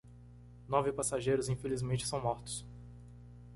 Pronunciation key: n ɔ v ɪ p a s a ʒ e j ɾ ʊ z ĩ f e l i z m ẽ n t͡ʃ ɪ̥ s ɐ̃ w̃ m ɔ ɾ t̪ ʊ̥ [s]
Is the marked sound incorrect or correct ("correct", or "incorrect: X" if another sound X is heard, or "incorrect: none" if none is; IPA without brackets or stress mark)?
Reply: correct